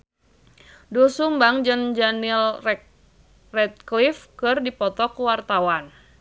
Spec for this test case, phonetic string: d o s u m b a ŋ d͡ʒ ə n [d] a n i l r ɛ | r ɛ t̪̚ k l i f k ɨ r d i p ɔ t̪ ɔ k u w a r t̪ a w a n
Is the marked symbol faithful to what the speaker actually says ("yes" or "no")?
no